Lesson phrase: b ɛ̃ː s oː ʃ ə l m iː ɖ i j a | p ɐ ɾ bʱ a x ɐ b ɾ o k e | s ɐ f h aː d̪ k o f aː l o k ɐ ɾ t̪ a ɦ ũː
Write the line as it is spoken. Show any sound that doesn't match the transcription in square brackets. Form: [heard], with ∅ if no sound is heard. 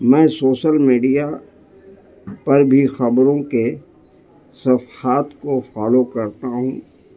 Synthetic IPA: [m] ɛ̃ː s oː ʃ ə l m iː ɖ i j a | p ɐ ɾ bʱ [i] x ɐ b ɾ [õ] k e | s ɐ f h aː [t̪] k o f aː l o k ɐ ɾ t̪ a ɦ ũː